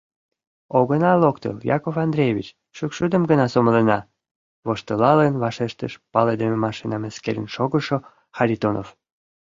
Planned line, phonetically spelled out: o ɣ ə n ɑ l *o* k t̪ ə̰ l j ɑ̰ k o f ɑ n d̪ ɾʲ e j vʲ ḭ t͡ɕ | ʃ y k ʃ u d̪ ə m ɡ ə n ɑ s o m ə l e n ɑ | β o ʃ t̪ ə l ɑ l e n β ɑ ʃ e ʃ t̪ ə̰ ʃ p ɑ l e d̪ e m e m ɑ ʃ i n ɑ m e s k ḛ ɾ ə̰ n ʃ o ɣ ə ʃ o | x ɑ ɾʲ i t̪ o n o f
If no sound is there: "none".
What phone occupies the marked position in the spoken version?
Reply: o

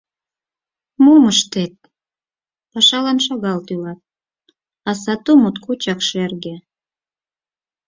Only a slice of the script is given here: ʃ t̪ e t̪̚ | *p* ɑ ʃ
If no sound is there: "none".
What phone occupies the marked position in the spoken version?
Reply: p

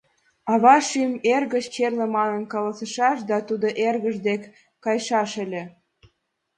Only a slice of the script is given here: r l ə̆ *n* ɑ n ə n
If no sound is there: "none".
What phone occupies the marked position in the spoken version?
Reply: m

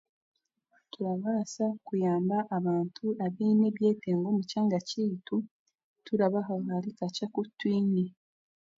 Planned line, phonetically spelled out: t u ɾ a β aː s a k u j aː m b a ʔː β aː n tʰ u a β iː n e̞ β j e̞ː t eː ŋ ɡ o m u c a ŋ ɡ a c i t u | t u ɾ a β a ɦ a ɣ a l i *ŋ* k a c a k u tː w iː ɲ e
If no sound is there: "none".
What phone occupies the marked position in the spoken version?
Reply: none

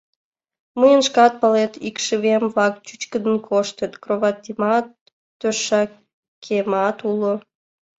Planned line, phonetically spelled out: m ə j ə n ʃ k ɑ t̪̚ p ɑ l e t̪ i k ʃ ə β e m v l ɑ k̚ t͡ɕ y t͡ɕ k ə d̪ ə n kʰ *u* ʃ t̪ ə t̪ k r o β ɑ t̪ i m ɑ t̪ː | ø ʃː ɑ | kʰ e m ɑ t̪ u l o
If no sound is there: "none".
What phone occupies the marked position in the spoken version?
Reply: o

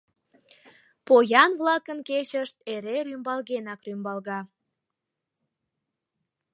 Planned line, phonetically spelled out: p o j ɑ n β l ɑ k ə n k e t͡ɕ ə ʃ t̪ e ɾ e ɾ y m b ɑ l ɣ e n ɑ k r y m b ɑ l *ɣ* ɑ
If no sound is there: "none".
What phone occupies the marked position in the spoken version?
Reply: ɣ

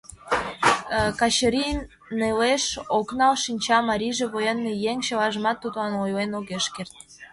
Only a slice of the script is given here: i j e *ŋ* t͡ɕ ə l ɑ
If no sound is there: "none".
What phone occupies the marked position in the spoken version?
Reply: ŋ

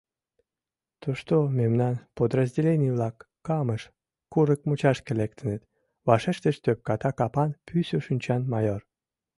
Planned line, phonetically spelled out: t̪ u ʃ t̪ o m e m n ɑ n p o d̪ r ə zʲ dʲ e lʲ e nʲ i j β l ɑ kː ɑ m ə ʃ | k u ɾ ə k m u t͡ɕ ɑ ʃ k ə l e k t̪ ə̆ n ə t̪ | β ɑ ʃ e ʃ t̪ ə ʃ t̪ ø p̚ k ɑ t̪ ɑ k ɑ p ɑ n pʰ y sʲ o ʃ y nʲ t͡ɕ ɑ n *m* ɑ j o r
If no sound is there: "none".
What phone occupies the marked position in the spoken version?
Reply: m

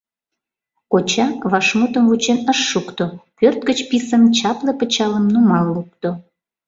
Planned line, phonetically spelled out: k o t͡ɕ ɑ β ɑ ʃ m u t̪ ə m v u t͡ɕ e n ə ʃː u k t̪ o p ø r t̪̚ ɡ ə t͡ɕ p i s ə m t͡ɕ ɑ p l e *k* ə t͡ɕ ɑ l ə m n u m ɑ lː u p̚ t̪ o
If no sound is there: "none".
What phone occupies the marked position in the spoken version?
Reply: p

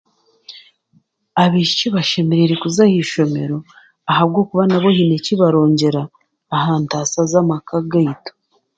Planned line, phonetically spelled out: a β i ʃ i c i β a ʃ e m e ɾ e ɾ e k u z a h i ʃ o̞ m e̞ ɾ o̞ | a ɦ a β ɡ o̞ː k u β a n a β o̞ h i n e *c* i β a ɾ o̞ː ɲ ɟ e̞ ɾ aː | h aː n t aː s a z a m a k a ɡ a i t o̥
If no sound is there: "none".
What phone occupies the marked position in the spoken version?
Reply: c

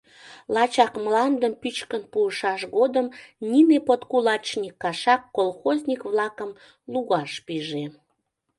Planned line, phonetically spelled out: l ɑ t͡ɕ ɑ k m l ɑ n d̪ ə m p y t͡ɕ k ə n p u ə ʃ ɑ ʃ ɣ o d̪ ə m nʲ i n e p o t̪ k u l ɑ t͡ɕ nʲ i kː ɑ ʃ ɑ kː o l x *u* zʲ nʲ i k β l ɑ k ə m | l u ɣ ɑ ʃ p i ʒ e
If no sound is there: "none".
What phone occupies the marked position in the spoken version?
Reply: o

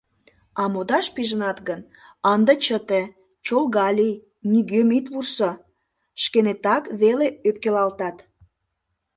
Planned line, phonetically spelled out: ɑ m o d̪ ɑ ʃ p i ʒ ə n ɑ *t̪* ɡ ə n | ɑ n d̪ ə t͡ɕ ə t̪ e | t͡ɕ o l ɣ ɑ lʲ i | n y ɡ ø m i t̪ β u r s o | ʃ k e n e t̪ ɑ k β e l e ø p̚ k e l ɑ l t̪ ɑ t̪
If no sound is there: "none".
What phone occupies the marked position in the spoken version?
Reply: t̪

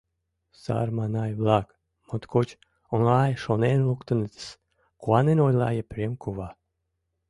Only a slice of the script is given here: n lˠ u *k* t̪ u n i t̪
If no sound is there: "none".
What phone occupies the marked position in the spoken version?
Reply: k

